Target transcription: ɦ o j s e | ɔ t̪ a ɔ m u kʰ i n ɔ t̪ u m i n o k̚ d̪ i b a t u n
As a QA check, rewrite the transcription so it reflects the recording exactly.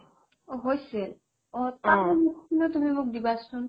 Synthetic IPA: ɦ o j s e | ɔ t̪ a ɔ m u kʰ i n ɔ t̪ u m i m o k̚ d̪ i b a s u n